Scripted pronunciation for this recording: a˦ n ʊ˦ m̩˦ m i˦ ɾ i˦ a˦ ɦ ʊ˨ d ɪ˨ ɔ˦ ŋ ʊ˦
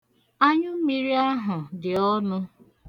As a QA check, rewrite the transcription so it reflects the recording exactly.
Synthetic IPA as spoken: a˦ ɲ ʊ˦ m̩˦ m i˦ ɾ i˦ a˦ ɦ ʊ˨ d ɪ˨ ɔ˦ n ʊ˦